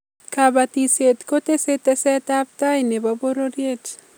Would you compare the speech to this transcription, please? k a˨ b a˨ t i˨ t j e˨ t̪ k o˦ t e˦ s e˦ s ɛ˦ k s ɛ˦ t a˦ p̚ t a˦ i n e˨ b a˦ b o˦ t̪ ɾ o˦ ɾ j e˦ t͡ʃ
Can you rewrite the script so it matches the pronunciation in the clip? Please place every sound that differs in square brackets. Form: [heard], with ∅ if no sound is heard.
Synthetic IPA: k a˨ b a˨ t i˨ [s] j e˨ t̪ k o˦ t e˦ s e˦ [t] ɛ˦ [∅] s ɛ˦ t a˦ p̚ t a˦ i n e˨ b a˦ b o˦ [∅] ɾ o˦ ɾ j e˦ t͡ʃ